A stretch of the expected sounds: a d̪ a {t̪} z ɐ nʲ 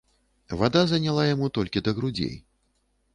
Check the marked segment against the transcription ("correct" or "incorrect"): incorrect